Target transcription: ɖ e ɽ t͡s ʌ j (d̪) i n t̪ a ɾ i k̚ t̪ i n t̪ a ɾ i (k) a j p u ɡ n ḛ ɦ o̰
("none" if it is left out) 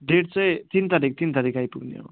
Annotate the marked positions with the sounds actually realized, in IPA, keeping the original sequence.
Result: t̪, k

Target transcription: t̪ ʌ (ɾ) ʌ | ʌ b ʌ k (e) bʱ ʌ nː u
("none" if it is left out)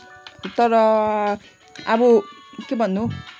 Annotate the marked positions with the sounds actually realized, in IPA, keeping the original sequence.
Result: ɾ, e

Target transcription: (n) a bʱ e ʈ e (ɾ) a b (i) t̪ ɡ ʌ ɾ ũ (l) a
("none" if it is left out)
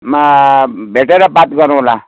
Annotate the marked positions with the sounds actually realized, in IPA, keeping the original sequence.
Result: m, ɾ, a, l

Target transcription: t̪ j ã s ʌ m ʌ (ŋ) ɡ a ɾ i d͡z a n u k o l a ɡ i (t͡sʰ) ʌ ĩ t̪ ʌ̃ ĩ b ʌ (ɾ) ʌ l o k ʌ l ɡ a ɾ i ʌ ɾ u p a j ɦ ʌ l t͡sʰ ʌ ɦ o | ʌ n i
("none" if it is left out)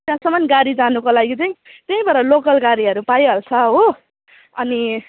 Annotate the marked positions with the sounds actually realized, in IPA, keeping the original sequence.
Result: n, t͡s, ɾ

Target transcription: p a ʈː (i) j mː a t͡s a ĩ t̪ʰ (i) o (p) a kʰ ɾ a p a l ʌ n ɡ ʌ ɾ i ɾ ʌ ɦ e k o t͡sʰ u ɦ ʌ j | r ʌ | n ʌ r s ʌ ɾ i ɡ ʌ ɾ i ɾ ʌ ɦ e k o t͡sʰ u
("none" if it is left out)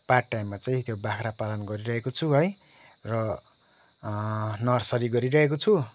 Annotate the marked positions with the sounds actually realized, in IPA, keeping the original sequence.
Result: a, j, b

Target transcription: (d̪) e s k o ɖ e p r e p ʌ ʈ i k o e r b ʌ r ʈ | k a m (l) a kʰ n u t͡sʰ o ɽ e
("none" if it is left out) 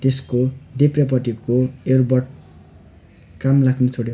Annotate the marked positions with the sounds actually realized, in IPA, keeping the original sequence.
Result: t̪, l

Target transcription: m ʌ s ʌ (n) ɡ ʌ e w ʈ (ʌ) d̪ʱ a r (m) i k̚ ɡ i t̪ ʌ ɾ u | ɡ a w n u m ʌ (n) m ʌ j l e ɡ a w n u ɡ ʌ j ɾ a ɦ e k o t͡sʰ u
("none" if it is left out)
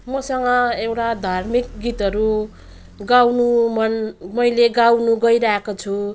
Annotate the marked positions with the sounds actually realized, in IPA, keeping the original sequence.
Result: ŋ, a, m, n

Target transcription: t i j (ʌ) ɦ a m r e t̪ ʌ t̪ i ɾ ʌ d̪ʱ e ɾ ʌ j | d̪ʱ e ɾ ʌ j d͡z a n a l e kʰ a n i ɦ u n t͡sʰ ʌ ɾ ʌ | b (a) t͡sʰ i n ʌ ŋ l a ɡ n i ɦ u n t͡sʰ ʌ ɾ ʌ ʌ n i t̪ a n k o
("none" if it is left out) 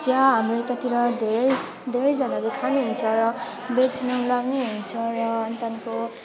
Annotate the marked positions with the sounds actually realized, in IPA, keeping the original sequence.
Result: a, e

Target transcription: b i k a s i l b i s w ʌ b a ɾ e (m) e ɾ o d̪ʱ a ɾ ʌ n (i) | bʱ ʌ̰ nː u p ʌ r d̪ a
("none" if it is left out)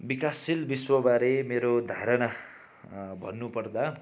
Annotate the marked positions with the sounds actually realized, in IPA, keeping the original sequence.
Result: m, a

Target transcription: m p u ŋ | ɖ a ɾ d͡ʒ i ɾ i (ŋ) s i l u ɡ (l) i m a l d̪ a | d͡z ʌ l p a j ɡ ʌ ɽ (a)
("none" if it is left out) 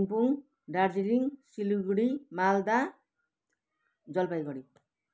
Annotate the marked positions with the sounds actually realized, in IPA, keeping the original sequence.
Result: ŋ, ɽ, i

